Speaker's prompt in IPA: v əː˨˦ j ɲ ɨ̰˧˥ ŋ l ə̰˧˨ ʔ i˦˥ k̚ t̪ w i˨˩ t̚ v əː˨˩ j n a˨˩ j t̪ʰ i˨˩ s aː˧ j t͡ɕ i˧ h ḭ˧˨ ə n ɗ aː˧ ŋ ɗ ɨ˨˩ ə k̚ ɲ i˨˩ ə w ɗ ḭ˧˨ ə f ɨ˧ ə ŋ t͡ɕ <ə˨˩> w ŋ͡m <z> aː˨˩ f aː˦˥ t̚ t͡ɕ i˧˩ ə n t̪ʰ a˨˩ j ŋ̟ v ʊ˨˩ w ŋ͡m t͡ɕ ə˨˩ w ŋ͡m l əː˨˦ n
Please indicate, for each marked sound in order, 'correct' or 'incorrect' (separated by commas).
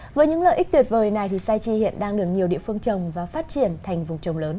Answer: correct, incorrect